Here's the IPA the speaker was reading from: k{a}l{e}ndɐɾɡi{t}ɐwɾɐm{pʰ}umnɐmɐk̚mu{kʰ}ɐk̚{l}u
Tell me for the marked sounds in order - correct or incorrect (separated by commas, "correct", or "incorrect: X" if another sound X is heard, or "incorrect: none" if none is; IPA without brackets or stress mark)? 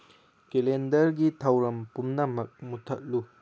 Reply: incorrect: e, correct, incorrect: tʰ, incorrect: p, incorrect: tʰ, correct